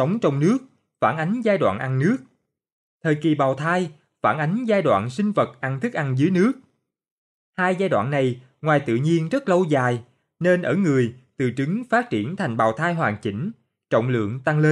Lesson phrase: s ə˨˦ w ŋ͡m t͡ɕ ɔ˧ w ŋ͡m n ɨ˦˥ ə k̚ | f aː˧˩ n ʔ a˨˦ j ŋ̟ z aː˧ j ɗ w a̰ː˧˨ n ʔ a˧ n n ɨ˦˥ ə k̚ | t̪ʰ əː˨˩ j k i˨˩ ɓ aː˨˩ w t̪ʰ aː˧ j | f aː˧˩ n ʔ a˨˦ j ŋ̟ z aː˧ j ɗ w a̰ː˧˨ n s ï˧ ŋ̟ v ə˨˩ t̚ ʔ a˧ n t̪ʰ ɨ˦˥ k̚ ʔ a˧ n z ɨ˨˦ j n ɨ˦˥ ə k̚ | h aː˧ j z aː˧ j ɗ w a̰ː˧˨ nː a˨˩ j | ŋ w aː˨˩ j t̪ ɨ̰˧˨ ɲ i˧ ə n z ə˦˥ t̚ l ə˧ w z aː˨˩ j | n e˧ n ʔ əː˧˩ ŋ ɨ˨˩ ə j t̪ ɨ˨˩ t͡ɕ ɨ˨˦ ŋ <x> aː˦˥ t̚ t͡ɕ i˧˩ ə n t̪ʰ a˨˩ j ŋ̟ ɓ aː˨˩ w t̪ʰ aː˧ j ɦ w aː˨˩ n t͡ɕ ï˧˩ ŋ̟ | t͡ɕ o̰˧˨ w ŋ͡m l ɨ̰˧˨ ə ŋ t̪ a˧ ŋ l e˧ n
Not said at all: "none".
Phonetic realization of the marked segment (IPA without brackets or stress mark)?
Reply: f